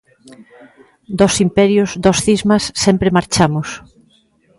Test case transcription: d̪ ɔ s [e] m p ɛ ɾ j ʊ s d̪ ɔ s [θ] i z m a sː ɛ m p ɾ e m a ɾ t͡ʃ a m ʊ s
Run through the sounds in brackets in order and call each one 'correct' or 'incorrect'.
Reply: incorrect, correct

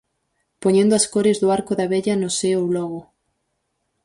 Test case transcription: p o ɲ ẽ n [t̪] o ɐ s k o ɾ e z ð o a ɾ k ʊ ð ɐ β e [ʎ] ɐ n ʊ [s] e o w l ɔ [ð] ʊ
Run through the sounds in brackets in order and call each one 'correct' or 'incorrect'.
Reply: incorrect, correct, correct, incorrect

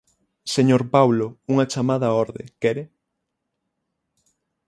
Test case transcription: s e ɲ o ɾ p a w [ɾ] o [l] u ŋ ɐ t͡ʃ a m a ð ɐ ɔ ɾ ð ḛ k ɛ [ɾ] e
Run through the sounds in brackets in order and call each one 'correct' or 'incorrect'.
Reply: incorrect, incorrect, correct

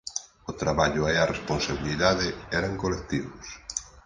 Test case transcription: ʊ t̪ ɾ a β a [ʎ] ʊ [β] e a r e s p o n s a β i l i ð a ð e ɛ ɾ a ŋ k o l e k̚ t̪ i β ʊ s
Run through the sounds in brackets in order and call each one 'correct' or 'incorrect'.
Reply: correct, incorrect

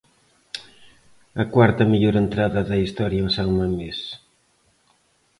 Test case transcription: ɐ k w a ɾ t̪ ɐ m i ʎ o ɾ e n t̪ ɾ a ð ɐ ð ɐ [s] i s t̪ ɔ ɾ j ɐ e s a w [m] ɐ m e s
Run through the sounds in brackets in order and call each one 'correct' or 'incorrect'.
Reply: incorrect, correct

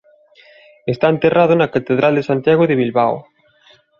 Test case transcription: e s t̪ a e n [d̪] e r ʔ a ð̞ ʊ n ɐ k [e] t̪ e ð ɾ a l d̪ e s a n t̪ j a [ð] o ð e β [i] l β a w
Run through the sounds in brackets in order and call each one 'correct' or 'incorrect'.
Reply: incorrect, incorrect, incorrect, correct

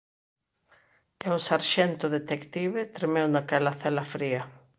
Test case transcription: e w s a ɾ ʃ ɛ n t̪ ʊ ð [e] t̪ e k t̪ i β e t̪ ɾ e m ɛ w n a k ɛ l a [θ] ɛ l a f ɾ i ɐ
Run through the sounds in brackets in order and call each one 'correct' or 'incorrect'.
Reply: correct, correct

